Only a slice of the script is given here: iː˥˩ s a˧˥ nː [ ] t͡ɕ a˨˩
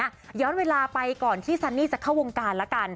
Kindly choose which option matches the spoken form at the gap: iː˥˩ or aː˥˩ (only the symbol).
iː˥˩